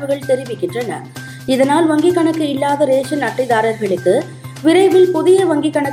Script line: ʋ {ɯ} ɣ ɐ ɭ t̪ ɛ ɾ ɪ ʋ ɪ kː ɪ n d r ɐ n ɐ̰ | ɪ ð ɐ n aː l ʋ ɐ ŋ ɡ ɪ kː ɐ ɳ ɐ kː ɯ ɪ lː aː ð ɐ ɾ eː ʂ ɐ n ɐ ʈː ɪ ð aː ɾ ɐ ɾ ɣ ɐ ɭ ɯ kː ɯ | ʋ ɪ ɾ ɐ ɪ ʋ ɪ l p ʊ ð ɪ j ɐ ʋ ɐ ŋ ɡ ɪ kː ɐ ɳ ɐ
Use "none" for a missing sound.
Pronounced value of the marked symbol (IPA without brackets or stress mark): ɯ